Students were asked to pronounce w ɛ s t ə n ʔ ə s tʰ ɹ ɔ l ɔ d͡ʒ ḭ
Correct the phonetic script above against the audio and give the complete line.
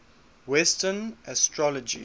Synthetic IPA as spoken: w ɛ s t ə n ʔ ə s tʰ ɹ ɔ l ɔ d͡ʒ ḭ

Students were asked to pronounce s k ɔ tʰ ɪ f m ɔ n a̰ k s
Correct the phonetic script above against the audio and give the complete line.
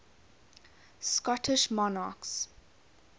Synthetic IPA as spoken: s k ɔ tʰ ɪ ʃ m ɔ n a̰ k s

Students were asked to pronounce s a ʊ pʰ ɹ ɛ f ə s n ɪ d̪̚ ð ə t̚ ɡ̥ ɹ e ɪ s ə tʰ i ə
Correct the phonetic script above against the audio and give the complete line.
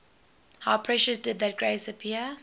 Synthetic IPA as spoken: h a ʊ pʰ ɹ ɛ ʃ ə s d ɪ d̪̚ ð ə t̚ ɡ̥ ɹ e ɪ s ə pʰ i ə

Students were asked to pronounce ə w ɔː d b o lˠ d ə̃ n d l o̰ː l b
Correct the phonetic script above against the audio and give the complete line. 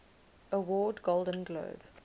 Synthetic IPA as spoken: ə w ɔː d ɡ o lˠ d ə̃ n ɡ l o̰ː b

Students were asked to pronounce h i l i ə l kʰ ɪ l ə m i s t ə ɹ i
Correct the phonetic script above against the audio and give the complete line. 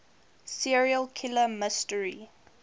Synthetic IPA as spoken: s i ɹ i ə l kʰ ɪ l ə m ɪ s t ə ɹ i

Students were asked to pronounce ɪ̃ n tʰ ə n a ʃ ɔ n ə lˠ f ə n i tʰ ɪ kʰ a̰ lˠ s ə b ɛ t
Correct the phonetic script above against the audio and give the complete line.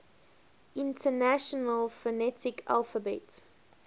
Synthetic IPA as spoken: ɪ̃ n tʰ ə n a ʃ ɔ n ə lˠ f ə n ɛ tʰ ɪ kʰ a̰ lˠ f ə b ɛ t

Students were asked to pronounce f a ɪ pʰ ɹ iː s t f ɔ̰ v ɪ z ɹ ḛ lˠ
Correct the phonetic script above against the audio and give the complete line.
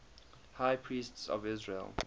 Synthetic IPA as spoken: h a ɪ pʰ ɹ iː s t s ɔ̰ v ɪ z ɹ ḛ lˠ

